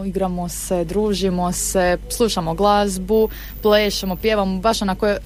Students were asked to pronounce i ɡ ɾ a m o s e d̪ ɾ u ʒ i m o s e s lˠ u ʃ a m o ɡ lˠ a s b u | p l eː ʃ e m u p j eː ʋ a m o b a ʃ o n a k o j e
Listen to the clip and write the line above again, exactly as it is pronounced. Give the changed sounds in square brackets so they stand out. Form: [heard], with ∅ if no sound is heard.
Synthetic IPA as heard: i ɡ ɾ a m o s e d̪ ɾ [uː] ʒ i m o s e s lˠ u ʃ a m o ɡ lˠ a [z] b u | p l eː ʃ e m [o] p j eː ʋ a m o b a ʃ o n a k o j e